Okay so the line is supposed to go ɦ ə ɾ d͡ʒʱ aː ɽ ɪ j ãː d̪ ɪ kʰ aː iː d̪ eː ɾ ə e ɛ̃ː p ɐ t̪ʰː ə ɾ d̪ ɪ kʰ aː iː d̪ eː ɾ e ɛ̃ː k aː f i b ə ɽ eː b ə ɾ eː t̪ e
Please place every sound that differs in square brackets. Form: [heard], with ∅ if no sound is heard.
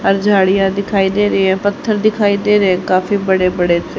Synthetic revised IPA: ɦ ə ɾ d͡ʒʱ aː ɽ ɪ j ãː d̪ ɪ kʰ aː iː d̪ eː ɾ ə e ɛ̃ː p [ə] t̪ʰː ə ɾ d̪ ɪ kʰ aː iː d̪ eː ɾ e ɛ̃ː k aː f [iː] b ə ɽ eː b ə [ɽ] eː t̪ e